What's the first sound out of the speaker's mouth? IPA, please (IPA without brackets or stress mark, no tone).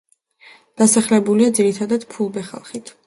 d̪̥